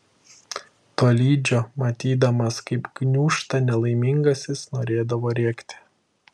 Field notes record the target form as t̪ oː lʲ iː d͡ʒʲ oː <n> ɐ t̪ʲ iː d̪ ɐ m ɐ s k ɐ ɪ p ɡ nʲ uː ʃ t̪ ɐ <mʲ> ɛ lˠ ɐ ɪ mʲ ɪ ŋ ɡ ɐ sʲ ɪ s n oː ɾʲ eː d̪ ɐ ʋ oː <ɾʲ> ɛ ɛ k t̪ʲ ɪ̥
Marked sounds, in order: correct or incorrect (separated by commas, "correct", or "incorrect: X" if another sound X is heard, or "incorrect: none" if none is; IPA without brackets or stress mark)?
incorrect: m, incorrect: nʲ, correct